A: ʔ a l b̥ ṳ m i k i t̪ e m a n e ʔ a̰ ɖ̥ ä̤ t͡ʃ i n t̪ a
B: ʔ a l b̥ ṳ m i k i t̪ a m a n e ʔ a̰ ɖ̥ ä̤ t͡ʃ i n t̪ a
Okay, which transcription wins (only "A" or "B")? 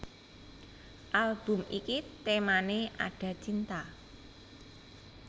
A